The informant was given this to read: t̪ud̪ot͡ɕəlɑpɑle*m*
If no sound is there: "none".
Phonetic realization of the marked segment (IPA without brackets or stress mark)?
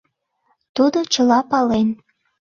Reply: n